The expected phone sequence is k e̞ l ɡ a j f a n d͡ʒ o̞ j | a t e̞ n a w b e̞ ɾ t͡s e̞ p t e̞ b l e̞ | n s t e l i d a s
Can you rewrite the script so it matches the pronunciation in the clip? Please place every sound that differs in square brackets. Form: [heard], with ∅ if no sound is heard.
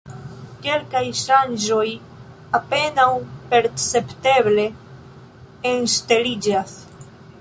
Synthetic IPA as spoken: k e̞ l [k] a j [ʃ] a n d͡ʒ o̞ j | a [p] e̞ n a w [p] e̞ ɾ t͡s e̞ p t e̞ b l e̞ | n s t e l i [d͡ʒ] a s